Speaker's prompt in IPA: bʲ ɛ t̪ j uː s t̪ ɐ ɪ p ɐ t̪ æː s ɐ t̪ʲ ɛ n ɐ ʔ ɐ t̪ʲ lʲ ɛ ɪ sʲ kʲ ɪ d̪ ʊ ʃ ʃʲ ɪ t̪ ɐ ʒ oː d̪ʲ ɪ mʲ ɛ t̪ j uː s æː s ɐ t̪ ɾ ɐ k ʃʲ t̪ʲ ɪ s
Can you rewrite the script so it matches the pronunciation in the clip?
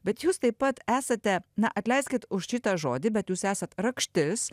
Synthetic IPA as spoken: bʲ ɛ t̪ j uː s t̪ ɐ ɪ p ɐ t̪ æː s ɐ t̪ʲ ɛ n ɐ ʔ ɐ t̪ʲ lʲ ɛ ɪ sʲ kʲ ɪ t̪ ʊ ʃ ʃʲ ɪ t̪ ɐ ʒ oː d̪ʲ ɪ bʲ ɛ t̪ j uː s æː s ɐ t̪ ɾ ɐ k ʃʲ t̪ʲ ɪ s

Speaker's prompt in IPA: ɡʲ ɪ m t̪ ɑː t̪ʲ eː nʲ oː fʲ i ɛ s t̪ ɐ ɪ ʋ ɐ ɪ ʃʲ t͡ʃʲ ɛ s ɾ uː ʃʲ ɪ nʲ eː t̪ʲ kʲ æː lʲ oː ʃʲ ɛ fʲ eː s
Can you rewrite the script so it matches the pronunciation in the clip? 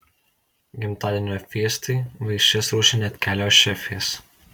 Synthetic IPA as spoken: ɡʲ ɪ m t̪ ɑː d̪ʲ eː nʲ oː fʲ i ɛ s t̪ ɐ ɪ ʋ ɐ ɪ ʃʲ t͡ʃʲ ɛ s ɾ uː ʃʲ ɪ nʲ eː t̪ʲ kʲ æː lʲ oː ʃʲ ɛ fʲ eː s

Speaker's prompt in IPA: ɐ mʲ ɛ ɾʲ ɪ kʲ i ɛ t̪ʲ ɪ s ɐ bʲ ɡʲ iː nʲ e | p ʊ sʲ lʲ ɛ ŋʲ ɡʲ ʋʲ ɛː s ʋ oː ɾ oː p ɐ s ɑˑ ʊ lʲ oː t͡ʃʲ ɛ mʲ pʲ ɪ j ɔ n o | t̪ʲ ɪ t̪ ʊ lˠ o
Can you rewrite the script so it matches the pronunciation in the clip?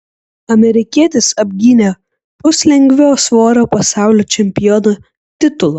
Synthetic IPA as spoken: ɐ mʲ ɛ ɾʲ ɪ kʲ i ɛ t̪ʲ ɪ s ɐ bʲ ɡʲ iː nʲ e | p ʊ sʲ lʲ ɛ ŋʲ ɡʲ ʋʲ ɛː s ʋ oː ɾ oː p ɐ s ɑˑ ʊ lʲ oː t͡ʃʲ ɛ mʲ pʲ ɪ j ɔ n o | t̪ʲ ɪ t̪ ʊ lˠ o

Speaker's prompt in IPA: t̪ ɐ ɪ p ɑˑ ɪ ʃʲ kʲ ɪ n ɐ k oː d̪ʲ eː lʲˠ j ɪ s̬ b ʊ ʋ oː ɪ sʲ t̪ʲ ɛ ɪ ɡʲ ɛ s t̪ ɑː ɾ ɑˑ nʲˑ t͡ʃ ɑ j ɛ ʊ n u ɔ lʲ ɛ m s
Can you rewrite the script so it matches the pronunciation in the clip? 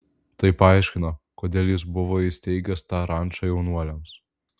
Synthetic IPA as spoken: t̪ ɐ ɪ p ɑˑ ɪ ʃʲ kʲ ɪ n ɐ k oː d̪ʲ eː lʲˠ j ɪ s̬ b ʊ ʋ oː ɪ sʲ t̪ʲ ɛ ɪ ɡʲ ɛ s t̪ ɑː ɾ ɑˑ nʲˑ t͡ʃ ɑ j ɛ ʊ n u ɔ lʲ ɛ m s

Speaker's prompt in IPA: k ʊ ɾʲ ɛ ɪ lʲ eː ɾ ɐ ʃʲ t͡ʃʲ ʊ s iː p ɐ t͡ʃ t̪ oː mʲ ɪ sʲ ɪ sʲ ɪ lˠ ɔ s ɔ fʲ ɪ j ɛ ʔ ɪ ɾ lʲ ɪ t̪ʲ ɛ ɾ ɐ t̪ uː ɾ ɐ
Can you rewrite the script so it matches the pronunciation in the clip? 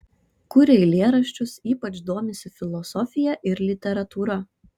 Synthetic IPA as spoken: k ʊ ɾʲ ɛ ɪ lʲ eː ɾ ɐ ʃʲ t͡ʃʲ ʊ s iː p ɐ t͡ʃ d̪ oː mʲ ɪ sʲ ɪ fʲ ɪ lˠ ɔ s ɔ fʲ ɪ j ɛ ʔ ɪ ɾ lʲ ɪ t̪ʲ ɛ ɾ ɐ t̪ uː ɾ ɐ

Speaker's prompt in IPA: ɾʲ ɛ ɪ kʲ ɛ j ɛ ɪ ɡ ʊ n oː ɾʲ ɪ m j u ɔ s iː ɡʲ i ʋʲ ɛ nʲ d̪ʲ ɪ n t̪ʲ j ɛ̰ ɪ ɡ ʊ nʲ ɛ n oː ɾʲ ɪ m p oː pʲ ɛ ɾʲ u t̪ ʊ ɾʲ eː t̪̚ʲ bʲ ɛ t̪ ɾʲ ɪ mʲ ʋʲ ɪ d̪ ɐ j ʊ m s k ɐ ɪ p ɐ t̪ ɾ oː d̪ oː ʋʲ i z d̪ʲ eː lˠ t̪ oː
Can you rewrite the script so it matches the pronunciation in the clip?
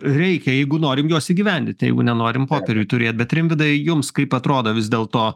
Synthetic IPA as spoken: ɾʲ ɛ ɪ kʲ ɛ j ɛ ɪ ɡ ʊ n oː ɾʲ ɪ m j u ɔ s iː ɡʲ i ʋʲ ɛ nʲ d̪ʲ ɪ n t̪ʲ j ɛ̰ ɪ ɡ ʊ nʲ ɛ n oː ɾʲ ɪ m p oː pʲ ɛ ɾʲ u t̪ ʊ ɾʲ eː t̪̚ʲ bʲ ɛ t̪ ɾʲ ɪ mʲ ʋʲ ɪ d̪ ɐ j ʊ m s k ɐ ɪ p ɐ t̪ ɾ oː d̪ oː ʋʲ ɪ z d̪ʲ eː lˠ t̪ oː

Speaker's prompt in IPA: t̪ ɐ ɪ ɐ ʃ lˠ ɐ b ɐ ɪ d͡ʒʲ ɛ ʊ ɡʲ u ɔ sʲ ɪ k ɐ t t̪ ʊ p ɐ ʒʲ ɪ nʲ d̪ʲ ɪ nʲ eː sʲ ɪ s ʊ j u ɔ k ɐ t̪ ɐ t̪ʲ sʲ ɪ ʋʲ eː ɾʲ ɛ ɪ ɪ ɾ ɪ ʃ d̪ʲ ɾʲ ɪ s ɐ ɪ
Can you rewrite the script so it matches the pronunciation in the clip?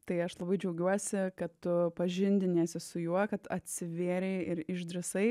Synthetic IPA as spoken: t̪ ɐ ɪ ɐ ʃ lˠ ɐ b ɐ ɪ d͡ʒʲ ɛ ʊ ɡʲ u ɔ sʲ ɪ k ɐ t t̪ ʊ p ɐ ʒʲ ɪ nʲ d̪ʲ ɪ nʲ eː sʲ ɪ s ʊ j u ɔ k ɐ t̪ ɐ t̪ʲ sʲ ɪ ʋʲ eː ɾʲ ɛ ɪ ɪ ɾ ɪ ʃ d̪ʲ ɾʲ ɪ s ɐ ɪ

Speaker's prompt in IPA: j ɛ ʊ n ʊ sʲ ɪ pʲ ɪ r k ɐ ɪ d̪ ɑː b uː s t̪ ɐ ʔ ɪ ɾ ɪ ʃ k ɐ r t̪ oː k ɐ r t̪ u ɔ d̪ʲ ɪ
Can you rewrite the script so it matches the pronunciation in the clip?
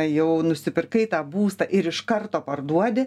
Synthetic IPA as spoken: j ɛ ʊ n ʊ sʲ ɪ pʲ ɪ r k ɐ ɪ t̪ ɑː b uː s t̪ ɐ ʔ ɪ ɾ ɪ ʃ k ɐ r t̪ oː p ɐ r d̪ u ɔ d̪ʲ ɪ

